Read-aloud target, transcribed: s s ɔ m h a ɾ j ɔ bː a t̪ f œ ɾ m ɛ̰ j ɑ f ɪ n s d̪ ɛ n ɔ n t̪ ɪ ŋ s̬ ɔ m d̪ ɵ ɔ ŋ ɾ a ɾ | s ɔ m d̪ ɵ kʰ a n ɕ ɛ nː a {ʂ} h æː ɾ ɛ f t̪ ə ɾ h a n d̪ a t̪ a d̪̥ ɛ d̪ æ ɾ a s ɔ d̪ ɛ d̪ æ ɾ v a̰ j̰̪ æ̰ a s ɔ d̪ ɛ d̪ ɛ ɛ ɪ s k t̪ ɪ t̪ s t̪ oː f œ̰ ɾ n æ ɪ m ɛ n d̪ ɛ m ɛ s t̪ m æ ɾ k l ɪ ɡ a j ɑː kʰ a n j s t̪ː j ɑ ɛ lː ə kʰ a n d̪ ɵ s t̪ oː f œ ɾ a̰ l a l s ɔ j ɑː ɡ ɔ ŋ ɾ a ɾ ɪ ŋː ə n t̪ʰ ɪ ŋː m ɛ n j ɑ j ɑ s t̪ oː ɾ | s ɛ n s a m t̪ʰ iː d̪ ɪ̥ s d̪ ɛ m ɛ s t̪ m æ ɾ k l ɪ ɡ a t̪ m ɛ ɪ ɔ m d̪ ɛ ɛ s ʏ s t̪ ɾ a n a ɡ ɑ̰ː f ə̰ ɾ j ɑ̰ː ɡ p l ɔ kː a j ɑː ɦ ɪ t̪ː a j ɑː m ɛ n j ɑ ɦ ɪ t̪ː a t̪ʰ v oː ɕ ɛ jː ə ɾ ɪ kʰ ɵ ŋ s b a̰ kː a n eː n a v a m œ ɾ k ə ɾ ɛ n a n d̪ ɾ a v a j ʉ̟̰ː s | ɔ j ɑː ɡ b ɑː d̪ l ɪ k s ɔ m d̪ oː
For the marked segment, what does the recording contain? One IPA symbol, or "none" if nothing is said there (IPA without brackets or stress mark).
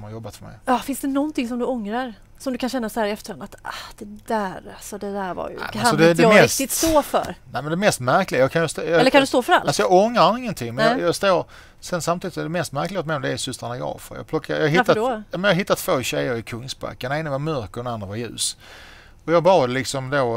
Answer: s